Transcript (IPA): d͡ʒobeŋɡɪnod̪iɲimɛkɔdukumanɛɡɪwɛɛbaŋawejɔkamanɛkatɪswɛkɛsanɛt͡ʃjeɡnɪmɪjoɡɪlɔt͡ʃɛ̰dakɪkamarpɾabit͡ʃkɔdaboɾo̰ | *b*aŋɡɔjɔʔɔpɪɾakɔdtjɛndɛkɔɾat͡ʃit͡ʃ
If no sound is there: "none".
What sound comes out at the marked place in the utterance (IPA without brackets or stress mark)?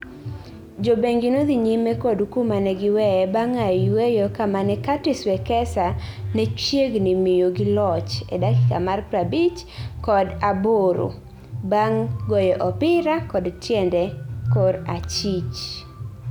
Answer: b